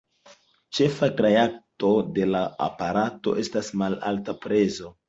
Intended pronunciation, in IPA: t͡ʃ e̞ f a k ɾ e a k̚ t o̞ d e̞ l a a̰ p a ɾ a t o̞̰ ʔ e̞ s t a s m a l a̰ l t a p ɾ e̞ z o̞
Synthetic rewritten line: t͡ʃ e̞ f a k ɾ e a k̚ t o̞ d e̞ l a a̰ p a ɾ a t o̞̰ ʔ e̞ s t a s m a l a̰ l t a p ɾ e̞ z o̞